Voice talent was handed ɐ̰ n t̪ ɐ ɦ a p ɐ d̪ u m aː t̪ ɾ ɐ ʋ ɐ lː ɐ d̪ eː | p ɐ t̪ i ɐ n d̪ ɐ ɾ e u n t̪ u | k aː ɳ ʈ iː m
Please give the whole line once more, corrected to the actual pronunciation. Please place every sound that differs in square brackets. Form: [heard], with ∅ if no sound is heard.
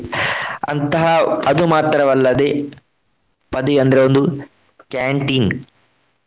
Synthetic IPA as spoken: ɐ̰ n t̪ ɐ ɦ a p ɐ d̪ u m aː t̪ ɾ ɐ ʋ ɐ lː ɐ d̪ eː | p ɐ [d̪] i ɐ n d̪ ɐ ɾ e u n [d̪] u | k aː ɳ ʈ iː [n]